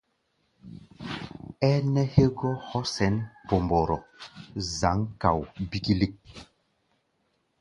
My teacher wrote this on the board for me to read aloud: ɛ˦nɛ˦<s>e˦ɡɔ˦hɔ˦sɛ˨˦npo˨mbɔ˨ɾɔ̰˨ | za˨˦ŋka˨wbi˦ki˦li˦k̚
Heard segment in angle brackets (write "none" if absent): h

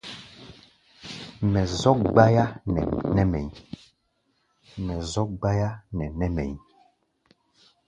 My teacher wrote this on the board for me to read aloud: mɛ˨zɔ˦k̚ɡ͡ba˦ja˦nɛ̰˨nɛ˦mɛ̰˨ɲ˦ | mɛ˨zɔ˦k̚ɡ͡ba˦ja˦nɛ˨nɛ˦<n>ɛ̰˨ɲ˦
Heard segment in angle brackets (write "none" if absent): m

